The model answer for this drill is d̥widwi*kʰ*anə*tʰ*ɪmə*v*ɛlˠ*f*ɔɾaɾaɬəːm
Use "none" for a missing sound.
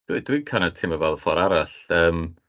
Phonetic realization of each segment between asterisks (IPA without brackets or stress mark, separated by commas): kʰ, tʰ, v, f